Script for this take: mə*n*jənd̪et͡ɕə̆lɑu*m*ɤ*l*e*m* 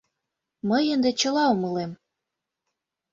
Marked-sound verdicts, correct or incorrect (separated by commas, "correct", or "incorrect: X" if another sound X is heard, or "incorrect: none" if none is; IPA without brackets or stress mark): incorrect: none, correct, correct, correct